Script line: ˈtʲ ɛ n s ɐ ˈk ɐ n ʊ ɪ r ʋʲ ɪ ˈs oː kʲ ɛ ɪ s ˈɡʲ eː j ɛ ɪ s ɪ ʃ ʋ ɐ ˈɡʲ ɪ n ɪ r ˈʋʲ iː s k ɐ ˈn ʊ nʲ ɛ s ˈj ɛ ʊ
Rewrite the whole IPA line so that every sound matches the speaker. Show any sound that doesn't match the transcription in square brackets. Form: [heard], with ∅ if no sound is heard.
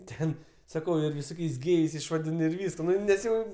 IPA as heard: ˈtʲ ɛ n s ɐ ˈk ɐ [∅] ʊ ɪ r ʋʲ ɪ ˈs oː kʲ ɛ ɪ s ˈɡʲ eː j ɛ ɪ s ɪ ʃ ʋ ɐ [ˈdʲ] ɪ n ɪ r ˈʋʲ iː s k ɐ ˈn ʊ nʲ ɛ s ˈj ɛ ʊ